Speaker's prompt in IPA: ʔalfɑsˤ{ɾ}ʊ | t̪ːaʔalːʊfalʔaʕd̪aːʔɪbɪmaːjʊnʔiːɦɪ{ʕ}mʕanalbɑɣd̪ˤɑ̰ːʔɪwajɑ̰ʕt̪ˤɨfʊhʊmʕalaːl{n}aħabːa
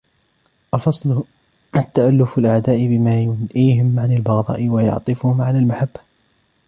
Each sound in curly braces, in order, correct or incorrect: incorrect: l, incorrect: none, incorrect: m

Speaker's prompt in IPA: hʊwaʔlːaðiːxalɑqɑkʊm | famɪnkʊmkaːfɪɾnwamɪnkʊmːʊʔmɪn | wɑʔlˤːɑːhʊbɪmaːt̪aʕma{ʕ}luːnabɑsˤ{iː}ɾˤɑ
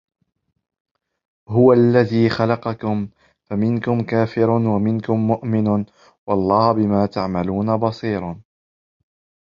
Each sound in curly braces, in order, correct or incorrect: incorrect: none, correct

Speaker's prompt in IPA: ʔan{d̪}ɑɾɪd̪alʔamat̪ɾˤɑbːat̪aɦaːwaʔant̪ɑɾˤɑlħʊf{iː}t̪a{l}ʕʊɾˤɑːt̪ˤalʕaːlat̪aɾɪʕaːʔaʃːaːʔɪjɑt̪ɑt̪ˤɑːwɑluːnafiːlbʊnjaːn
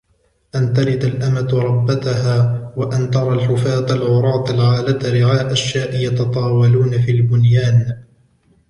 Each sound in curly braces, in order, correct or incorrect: incorrect: t̪, incorrect: aː, correct

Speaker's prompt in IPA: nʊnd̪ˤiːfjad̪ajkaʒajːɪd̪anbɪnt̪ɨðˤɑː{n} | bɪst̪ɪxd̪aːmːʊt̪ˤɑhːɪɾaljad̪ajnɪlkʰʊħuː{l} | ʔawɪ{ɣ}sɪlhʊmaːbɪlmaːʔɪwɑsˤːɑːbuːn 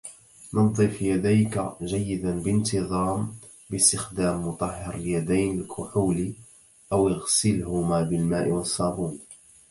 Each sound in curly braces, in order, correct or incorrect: incorrect: m, correct, correct

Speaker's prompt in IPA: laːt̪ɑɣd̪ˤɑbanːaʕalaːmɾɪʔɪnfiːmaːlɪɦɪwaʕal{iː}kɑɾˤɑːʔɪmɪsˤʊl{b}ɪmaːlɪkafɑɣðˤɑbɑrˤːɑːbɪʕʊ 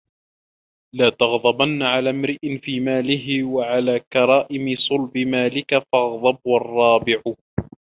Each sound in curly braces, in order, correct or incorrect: incorrect: aː, correct

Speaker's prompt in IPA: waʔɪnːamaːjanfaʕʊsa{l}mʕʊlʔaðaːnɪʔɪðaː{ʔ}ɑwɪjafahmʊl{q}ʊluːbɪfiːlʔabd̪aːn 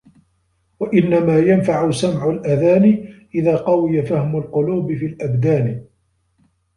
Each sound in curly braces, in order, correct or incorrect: incorrect: none, incorrect: q, correct

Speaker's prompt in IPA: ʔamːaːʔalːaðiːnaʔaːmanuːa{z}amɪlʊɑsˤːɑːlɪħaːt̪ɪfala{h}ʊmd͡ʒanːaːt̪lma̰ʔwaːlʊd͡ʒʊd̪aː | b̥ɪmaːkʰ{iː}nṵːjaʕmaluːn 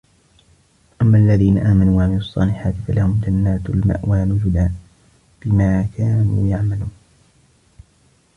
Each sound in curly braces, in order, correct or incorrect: incorrect: ʕ, correct, incorrect: aː

